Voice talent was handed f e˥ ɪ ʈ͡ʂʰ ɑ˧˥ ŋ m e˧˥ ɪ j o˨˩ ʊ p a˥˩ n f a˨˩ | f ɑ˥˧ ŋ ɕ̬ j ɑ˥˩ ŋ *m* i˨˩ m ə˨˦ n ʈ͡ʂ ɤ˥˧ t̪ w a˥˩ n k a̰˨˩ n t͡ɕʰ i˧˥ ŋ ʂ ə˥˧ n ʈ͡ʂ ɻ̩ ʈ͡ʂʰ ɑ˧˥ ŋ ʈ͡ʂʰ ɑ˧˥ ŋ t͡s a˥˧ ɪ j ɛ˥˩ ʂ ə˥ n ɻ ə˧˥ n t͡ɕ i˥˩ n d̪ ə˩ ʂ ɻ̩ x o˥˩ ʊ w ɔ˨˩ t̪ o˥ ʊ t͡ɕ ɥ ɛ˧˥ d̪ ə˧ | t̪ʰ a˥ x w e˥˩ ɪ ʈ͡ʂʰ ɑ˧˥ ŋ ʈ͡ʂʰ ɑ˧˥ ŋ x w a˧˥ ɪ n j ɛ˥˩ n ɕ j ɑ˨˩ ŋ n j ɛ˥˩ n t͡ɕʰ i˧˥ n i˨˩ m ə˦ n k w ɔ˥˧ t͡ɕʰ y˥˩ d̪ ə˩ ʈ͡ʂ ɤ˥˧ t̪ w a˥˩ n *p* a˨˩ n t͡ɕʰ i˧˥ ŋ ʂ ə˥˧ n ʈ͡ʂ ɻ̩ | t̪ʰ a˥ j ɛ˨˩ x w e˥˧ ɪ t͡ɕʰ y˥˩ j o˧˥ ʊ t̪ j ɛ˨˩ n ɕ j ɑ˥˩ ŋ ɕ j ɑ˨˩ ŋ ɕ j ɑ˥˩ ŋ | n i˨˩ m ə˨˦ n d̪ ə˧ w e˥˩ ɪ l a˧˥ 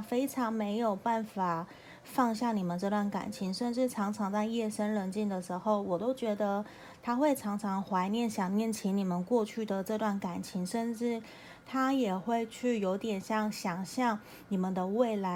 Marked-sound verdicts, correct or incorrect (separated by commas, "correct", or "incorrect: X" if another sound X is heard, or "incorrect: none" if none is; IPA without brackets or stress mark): incorrect: n, incorrect: k